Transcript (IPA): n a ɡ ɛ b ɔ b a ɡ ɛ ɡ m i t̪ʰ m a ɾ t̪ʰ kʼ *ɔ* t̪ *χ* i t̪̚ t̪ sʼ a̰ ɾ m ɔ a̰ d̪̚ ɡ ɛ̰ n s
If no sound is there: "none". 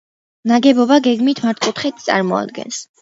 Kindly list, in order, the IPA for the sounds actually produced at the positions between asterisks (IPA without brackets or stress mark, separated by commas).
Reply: u, χ